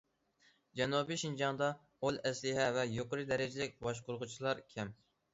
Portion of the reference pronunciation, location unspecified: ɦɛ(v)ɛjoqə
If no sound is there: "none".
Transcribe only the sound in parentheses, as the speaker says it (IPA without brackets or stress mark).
v